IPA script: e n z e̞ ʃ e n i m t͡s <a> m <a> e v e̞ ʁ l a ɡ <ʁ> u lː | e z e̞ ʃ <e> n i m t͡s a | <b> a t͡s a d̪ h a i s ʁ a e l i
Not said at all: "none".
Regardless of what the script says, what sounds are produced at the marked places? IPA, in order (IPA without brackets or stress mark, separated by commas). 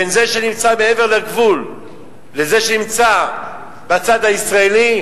a, e, v, e, b